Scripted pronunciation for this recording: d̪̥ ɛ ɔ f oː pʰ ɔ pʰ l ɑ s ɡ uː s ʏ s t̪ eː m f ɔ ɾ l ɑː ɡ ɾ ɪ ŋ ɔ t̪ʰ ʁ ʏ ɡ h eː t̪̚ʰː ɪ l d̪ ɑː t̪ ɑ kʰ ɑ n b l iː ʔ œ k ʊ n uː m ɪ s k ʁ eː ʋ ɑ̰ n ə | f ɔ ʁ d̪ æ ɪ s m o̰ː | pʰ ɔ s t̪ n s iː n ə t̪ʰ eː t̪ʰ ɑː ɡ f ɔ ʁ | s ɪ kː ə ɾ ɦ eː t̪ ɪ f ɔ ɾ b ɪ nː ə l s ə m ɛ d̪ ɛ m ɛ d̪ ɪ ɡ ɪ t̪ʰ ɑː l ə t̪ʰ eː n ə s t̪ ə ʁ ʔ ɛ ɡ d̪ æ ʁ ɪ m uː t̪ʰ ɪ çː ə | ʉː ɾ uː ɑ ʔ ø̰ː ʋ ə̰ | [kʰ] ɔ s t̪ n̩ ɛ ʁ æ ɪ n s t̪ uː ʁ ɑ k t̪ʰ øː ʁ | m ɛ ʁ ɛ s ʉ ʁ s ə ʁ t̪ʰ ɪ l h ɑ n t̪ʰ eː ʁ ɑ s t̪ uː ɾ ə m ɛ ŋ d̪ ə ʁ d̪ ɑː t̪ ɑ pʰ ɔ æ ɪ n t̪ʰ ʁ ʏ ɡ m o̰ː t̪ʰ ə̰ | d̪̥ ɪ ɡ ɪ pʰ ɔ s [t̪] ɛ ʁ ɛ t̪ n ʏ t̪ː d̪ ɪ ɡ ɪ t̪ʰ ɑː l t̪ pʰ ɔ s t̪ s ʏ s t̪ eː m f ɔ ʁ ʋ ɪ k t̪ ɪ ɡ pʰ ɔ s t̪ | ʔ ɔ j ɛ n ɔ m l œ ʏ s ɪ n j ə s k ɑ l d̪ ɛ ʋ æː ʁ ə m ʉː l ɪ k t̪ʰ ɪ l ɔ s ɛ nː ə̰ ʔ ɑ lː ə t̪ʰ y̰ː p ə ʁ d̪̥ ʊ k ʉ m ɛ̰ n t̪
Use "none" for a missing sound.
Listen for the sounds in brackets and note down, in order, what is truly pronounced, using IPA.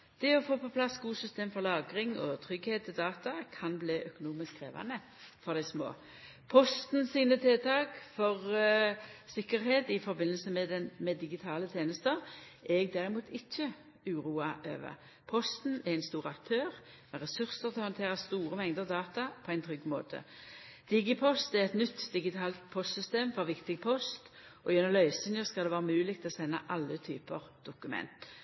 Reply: pʰ, t̪

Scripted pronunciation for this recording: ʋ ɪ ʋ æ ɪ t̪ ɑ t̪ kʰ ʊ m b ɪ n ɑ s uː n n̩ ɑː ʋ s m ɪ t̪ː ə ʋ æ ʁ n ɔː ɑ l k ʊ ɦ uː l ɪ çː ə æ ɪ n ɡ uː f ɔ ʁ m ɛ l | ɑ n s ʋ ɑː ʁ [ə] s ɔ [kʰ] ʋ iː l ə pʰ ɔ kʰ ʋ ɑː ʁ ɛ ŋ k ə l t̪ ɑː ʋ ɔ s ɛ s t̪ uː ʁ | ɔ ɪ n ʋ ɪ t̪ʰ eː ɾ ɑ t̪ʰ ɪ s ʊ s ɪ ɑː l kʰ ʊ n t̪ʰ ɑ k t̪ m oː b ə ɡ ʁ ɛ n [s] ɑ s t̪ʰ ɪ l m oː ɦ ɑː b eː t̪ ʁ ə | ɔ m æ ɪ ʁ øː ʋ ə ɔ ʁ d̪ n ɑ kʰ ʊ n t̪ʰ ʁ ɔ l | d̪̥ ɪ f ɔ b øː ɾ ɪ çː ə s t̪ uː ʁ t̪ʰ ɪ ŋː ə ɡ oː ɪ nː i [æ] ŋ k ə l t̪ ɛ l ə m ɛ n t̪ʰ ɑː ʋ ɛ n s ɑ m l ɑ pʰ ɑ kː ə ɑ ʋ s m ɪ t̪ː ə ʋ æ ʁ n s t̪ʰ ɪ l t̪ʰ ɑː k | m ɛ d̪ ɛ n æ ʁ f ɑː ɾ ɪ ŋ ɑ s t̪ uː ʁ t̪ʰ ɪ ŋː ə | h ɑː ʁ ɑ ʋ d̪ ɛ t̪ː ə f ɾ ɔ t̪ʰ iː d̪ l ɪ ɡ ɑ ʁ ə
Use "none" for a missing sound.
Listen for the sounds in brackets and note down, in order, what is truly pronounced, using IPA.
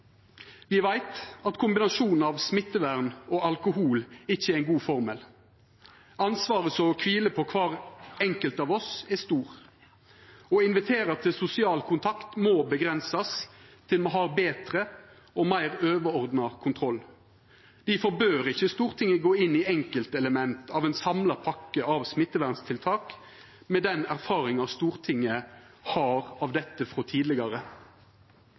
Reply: ə, kʰ, s, ɛ

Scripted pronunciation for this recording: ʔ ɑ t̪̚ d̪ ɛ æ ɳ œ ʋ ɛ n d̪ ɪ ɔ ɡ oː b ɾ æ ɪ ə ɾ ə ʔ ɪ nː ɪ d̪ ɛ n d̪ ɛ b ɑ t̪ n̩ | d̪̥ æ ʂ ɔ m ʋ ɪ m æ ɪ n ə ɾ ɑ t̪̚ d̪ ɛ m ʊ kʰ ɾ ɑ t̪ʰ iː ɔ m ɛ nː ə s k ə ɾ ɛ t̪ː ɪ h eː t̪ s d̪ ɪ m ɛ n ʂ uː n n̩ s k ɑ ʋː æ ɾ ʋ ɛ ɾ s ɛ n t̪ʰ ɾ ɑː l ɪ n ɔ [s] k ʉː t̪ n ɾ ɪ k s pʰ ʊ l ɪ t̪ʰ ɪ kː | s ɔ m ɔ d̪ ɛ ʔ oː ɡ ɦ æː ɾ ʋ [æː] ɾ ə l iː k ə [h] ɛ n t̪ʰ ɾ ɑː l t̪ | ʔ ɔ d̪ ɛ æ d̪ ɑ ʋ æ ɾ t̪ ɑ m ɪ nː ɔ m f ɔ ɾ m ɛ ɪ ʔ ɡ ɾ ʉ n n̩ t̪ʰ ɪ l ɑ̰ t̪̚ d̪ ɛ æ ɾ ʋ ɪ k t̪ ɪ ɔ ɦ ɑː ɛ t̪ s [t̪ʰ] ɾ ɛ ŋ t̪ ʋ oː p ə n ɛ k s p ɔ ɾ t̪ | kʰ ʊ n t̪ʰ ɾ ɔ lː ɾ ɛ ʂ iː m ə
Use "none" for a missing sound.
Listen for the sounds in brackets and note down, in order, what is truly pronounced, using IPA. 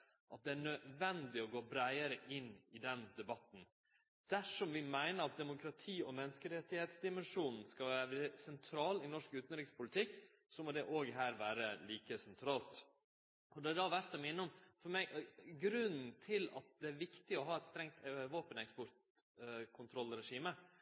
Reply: ʂ, æː, s, t̪

